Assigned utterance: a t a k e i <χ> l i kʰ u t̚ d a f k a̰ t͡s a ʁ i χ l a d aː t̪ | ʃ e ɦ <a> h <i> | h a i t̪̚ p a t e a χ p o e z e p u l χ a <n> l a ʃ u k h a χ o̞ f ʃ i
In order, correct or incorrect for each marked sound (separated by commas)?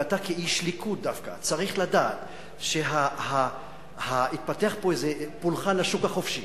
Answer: incorrect, correct, incorrect, correct